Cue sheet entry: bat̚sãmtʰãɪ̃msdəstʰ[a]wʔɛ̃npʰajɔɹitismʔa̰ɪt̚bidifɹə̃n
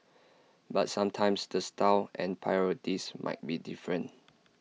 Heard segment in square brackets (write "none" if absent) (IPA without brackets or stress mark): a